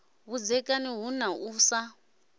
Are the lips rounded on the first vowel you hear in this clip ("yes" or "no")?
yes